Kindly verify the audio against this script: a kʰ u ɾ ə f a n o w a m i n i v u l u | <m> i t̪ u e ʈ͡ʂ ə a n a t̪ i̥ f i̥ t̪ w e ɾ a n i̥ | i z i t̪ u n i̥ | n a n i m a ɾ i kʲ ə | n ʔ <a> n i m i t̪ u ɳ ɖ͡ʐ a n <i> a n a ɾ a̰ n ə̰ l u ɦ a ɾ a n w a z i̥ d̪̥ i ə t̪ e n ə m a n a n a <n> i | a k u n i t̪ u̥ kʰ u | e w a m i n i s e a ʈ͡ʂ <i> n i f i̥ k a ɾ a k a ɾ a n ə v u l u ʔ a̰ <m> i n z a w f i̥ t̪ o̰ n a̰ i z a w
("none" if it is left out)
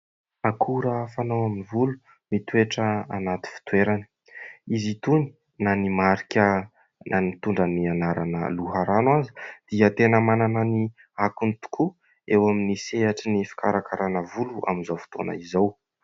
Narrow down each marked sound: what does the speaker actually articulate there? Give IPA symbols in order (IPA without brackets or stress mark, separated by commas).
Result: m, a, i, n, i, m